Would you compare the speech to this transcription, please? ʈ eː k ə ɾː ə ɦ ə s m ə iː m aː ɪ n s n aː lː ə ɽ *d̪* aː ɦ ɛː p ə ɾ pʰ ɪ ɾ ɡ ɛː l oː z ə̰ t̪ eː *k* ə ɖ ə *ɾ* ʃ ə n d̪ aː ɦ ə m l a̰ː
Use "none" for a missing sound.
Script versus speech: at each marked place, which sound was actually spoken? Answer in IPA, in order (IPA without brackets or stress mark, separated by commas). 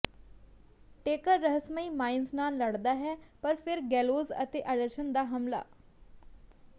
d̪, ʔ, ɾ